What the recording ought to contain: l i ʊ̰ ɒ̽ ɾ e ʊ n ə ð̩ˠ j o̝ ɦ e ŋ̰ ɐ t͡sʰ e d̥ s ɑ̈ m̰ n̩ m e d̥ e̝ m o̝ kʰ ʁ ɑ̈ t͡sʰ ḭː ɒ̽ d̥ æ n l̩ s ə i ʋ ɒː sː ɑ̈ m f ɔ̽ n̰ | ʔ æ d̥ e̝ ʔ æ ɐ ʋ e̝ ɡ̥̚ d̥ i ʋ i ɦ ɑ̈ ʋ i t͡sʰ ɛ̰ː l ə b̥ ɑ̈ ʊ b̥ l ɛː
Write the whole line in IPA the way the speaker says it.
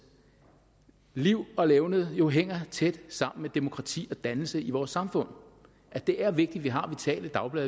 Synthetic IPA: l i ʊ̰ ɒ̽ l e ʊ n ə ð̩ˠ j o̝ ɦ e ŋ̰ ɐ t͡sʰ e d̥ s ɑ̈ m̰ n̩ m e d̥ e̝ m o̝ kʰ ʁ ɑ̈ t͡sʰ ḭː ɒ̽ d̥ æ n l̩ s ə i ʋ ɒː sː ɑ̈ m f ɔ̽ n̰ | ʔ æ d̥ e̝ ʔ æ ɐ ʋ e̝ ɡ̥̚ d̥ i ʋ i ɦ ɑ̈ ʋ i t͡sʰ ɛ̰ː l ə d̥ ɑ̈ ʊ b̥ l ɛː